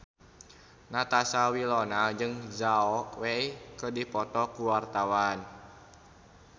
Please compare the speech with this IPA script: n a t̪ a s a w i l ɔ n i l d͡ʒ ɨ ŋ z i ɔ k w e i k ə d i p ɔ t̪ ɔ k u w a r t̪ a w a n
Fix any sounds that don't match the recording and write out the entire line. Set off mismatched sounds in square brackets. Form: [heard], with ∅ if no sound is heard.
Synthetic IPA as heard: n a t̪ a s a w i l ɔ n [a] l d͡ʒ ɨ ŋ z [a] ɔ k w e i k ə d i p ɔ t̪ ɔ k u w a r t̪ a w a n